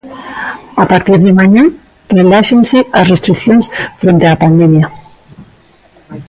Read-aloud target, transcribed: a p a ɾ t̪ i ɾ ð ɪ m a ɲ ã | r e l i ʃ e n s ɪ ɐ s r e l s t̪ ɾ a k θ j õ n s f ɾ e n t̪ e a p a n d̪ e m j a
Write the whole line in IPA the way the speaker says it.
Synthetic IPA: a p a ɾ t̪ i ɾ ð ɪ m a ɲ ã | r e l a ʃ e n s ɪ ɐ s r e s t̪ ɾ i k θ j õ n s f ɾ e n t̪ e a p a n d̪ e m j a